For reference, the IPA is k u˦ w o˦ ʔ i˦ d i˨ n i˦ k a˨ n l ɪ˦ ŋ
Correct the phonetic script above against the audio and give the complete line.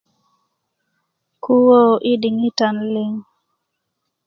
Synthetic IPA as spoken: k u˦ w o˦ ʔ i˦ d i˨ ŋ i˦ t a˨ n l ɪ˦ ŋ